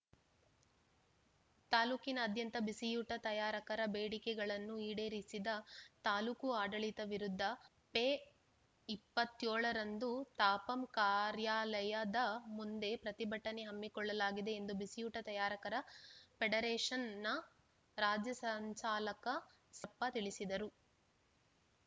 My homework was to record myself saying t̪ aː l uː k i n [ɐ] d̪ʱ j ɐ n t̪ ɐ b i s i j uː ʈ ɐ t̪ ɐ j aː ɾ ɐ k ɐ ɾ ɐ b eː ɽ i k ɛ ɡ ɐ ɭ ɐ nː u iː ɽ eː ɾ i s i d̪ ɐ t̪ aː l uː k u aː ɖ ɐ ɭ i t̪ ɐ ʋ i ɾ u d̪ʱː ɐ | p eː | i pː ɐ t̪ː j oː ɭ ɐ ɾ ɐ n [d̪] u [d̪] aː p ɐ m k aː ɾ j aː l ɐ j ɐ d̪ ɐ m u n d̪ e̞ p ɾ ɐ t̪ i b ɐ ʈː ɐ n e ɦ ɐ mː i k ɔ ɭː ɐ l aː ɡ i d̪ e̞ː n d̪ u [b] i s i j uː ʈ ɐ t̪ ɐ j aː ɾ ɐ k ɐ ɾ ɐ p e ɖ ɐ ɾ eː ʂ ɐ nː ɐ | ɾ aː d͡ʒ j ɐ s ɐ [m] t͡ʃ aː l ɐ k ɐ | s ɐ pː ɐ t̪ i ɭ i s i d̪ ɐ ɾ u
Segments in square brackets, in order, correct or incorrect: incorrect: ɐː, correct, incorrect: t̪, correct, incorrect: ɲ

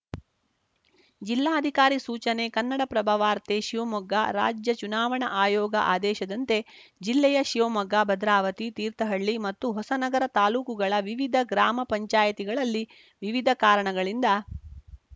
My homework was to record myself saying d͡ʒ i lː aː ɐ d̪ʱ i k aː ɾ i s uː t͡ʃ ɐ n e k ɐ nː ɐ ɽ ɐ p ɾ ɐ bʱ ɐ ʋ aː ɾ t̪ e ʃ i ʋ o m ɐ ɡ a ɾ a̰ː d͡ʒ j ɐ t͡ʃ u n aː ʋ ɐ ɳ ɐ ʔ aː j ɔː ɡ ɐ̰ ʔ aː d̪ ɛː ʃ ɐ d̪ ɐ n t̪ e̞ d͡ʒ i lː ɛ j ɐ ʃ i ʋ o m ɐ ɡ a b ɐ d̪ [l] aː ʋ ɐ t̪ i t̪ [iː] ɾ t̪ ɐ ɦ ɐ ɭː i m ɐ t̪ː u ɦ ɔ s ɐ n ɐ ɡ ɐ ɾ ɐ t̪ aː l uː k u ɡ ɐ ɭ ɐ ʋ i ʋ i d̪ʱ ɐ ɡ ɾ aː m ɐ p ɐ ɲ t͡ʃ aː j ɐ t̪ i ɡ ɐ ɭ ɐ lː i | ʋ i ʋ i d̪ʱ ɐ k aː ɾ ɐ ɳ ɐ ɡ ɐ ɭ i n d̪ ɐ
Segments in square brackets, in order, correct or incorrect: incorrect: ɾ, correct

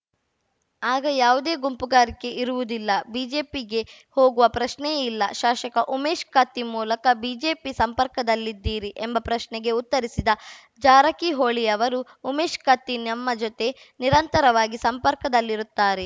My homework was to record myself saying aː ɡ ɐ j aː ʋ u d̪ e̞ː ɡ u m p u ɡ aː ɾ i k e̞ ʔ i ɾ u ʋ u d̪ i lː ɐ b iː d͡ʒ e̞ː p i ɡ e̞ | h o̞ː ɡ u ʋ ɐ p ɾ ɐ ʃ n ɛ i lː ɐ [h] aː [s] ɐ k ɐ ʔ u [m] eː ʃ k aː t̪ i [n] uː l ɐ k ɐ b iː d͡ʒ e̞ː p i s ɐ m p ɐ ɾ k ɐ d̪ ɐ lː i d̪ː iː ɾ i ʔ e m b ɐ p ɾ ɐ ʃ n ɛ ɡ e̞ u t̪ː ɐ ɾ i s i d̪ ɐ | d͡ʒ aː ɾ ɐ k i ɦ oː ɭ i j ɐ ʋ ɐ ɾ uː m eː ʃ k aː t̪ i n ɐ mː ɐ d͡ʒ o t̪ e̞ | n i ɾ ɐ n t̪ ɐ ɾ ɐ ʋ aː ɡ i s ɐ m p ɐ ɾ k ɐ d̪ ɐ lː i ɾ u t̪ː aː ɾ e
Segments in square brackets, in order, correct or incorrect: incorrect: ʃ, incorrect: ʃ, correct, incorrect: m

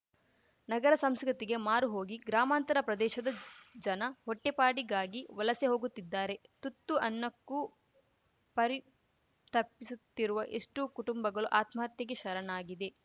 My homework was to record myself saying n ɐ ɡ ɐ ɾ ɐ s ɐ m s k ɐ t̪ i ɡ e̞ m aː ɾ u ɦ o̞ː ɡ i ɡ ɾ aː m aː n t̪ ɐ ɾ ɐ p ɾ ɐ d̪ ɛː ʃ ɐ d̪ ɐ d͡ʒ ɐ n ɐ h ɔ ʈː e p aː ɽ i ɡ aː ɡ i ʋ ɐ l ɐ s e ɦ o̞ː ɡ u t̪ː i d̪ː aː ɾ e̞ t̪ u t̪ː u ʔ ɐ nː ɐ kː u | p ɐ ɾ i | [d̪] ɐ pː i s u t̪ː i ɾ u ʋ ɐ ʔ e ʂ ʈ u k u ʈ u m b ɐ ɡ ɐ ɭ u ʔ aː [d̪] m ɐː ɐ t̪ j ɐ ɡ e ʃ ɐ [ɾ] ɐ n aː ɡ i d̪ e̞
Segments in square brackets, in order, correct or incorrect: incorrect: t̪, incorrect: t̪, correct

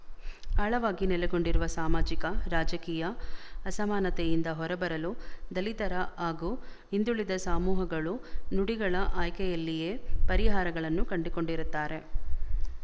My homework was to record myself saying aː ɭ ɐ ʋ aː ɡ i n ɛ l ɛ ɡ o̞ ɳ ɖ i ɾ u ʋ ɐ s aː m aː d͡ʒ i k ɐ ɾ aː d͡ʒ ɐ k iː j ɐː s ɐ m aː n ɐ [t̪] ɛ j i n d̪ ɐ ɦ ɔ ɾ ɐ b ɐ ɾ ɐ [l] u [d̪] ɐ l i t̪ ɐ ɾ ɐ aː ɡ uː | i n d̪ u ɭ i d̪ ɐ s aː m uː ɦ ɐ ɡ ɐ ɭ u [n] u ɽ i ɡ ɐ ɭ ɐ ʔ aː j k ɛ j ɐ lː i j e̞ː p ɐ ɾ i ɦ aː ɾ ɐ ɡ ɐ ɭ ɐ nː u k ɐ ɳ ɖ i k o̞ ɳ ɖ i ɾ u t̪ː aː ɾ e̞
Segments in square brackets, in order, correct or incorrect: correct, correct, correct, correct

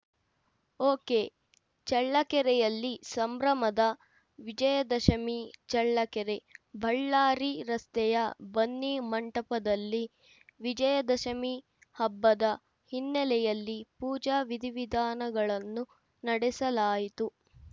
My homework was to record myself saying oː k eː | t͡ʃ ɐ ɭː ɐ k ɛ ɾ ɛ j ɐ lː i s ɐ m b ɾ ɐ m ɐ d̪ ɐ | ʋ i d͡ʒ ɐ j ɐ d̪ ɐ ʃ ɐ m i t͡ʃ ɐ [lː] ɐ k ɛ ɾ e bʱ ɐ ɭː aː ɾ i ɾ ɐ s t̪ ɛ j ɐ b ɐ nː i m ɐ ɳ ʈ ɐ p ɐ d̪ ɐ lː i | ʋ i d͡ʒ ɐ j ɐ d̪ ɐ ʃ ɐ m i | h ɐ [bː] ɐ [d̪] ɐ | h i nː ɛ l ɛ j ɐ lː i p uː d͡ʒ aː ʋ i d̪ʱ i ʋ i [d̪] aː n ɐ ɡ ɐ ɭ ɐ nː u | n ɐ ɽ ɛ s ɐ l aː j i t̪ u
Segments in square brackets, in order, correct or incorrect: incorrect: ɭː, correct, correct, correct

